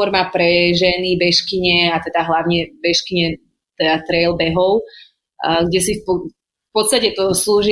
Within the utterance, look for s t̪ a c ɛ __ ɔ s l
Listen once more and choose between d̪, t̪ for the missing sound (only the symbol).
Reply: t̪